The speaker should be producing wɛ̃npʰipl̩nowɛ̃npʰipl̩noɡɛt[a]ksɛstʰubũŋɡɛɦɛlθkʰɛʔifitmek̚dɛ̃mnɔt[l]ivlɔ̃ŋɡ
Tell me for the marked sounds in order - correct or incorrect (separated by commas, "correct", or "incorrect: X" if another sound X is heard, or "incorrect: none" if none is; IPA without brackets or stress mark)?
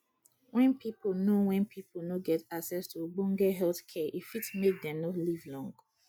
correct, correct